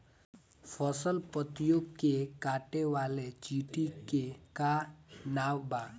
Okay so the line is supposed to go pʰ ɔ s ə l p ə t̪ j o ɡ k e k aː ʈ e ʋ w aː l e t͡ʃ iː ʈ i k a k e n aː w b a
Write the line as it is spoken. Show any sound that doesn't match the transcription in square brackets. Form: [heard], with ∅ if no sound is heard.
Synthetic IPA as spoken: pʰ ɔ s ə l p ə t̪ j o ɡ k e k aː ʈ e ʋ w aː l e t͡ʃ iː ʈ i k [e] k [a] n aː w b a